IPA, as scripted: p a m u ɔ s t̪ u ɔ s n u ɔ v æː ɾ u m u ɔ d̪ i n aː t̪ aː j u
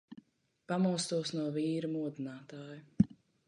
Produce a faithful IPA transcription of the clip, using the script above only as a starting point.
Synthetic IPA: p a m u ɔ s t̪ u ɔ s n u ɔ v iː ɾ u m u ɔ d̪ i n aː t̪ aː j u